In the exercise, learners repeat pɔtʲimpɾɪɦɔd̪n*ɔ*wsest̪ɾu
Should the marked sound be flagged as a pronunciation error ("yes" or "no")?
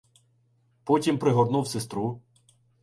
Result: yes